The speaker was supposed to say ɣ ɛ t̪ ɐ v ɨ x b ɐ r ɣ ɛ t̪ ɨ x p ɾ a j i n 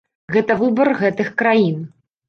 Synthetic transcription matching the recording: ɣ ɛ t̪ ɐ v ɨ b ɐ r ɣ ɛ t̪ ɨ x k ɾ a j i n

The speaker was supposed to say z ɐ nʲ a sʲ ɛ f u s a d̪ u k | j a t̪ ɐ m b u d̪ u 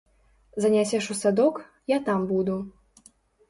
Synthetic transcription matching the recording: z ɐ nʲ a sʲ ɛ ʂ u s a d̪ ɔ k | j a t̪ a m b u d̪ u

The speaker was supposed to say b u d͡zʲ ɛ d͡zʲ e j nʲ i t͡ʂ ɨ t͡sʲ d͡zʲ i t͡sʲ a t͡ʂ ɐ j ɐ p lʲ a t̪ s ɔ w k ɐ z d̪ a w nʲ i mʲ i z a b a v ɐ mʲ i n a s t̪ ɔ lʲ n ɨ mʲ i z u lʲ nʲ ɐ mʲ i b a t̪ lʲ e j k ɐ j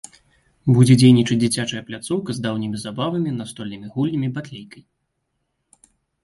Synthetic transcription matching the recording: b u d͡zʲ ɛ d͡zʲ e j nʲ i t͡ʂ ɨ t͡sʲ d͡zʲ i t͡sʲ a t͡ʂ ɐ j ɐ p lʲ a t̪ s ɔ w k ɐ z d̪ a w nʲ i mʲ i z a b a v ɐ mʲ i n a s t̪ ɔ lʲ n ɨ mʲ i ɣ u lʲ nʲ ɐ mʲ i b a t̪ lʲ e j k ɐ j

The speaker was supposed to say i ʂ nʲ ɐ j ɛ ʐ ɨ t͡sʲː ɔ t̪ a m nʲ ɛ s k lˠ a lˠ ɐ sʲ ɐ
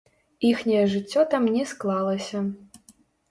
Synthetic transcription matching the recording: i x nʲ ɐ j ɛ ʐ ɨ t͡sʲː ɔ t̪ a m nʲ ɛ s k lˠ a lˠ ɐ sʲ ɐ

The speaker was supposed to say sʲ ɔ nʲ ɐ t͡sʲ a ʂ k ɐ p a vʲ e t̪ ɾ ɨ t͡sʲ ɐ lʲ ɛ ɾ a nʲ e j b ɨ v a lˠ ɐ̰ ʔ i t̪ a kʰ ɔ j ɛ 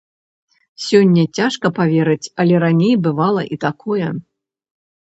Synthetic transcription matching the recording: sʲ ɔ nʲː ɐ t͡sʲ a ʂ k ɐ p a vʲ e ɾ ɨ t͡sʲ ɐ lʲ ɛ ɾ a nʲ e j b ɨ v a lˠ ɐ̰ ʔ i t̪ a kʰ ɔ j ɛ

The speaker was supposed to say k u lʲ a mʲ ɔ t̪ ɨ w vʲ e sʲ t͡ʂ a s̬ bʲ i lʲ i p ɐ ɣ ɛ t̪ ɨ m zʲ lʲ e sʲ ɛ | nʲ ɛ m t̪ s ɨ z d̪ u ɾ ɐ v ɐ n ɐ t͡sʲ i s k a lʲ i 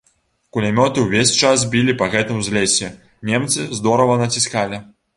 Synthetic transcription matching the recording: k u lʲ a mʲ ɔ t̪ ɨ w vʲ e sʲ t͡ʂ a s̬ bʲ i lʲ i p ɐ ɣ ɛ t̪ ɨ m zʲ lʲ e sʲ ɛ | nʲ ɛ m t̪ s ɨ z d̪ ɔ ɾ ɐ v ɐ n ɐ t͡sʲ i s k a lʲ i

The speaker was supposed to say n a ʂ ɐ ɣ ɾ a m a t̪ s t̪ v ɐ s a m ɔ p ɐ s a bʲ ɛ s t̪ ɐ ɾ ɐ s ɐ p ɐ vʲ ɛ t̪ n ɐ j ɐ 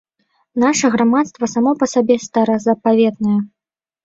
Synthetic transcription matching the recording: n a ʂ ɐ ɣ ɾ a m a t̪ s t̪ v ɐ s a m ɔ p ɐ s a bʲ ɛ s t̪ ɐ ɾ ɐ z ɐ p a vʲ ɛ t̪ n ɐ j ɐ

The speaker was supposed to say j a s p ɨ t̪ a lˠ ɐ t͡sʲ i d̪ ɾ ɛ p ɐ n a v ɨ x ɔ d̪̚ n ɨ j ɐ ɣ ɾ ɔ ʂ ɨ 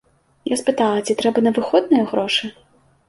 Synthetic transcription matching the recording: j a s p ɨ t̪ a lˠ ɐ t͡sʲ i t̪ ɾ ɛ b ɐ n ɐ v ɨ x ɔ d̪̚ n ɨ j ɐ ɣ ɾ ɔ ʂ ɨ

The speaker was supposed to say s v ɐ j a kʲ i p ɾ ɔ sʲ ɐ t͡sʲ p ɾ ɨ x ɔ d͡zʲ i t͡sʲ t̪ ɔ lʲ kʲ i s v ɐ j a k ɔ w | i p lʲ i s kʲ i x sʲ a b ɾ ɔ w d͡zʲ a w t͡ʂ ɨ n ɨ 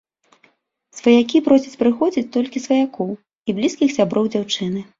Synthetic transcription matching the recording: s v ɐ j a kʲ i p ɾ ɔ sʲ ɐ t͡sʲ p ɾ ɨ x ɔ d͡zʲ i t͡sʲ t̪ ɔ lʲ kʲ i s v ɐ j a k ɔ w | i b lʲ i s kʲ i x sʲ a b ɾ ɔ w d͡zʲ a w t͡ʂ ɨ n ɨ

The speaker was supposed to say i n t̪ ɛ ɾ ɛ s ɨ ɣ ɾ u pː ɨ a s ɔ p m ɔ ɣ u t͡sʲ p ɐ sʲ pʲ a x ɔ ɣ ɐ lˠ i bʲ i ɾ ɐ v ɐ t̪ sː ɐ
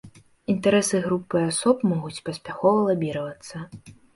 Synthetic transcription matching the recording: i n t̪ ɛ ɾ ɛ s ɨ ɣ ɾ u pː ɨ a s ɔ p m ɔ ɣ u t͡sʲ p ɐ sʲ pʲ a x ɔ v ɐ lˠ a bʲ i ɾ ɐ v ɐ t̪ sː ɐ

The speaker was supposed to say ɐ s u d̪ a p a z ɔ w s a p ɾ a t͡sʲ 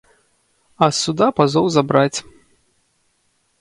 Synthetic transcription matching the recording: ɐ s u d̪ a p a z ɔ w z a b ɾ a t͡sʲ

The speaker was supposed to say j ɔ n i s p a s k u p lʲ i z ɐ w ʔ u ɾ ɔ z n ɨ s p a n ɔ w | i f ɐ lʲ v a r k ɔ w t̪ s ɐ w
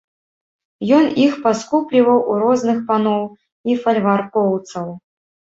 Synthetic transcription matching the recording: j ɔ n i x p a s k u p lʲ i v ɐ w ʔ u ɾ ɔ z n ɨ x p a n ɔ w | i f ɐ lʲ v a r k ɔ w t̪ s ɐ w

